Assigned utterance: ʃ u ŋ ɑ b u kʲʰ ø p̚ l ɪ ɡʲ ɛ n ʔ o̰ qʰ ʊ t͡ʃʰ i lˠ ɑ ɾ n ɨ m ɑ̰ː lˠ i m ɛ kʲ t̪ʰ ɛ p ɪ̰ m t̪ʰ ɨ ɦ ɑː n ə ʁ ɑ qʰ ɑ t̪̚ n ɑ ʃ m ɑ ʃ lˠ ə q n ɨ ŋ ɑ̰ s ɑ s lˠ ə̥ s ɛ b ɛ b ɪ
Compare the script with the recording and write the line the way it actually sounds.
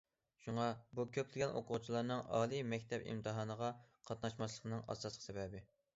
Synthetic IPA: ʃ u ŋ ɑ b u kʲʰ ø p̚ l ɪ ɡʲ ɛ n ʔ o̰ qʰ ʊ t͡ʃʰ i lˠ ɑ ɾ n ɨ ŋ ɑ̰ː lˠ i m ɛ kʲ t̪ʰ ɛ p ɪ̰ m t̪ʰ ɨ ɦ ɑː n ə ʁ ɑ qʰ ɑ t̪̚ n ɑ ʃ m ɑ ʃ lˠ ə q n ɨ ŋ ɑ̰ s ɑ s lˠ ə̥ s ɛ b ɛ b ɪ